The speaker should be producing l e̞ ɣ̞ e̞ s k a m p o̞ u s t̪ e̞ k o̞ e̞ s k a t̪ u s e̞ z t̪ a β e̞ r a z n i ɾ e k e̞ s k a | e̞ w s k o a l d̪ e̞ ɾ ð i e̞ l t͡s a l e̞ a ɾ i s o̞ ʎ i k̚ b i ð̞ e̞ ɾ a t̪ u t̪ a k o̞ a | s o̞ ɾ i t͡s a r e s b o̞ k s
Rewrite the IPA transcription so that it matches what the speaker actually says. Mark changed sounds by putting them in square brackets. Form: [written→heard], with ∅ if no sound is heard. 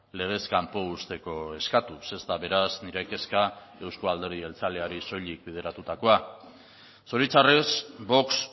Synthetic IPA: l e̞ ɣ̞ e̞ s k a m p o̞ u s t̪ e̞ k o̞ e̞ s k a t̪ u s e̞ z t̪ a β e̞ [r→ɾ] a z n i ɾ e k e̞ s k a | e̞ w s k o a l d̪ e̞ ɾ ð i e̞ l t͡s a l e̞ a ɾ i s o̞ ʎ i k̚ b i ð̞ e̞ ɾ a t̪ u t̪ a k o̞ a | s o̞ ɾ i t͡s a r e s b o̞ k s

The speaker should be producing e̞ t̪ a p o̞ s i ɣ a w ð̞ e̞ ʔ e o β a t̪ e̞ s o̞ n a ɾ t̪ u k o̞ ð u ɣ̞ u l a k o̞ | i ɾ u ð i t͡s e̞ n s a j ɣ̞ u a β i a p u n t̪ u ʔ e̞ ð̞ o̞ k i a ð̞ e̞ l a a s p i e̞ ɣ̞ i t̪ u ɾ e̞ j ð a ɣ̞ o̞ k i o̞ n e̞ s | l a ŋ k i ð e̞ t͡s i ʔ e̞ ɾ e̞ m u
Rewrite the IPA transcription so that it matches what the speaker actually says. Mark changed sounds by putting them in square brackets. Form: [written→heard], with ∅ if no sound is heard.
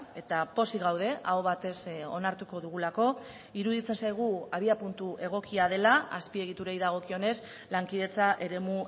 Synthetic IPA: e̞ t̪ a p o̞ s i ɣ a w ð̞ e̞ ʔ [e→a] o β a t̪ e̞ s o̞ n a ɾ t̪ u k o̞ ð u ɣ̞ u l a k o̞ | i ɾ u ð i t͡s e̞ n s a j ɣ̞ u a β i a p u n t̪ u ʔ e̞ [ð̞→ɣ̞] o̞ k i a ð̞ e̞ l a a s p i e̞ ɣ̞ i t̪ u ɾ e̞ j ð a ɣ̞ o̞ k i o̞ n e̞ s | l a ŋ k i ð e̞ t͡s [i→a] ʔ e̞ ɾ e̞ m u

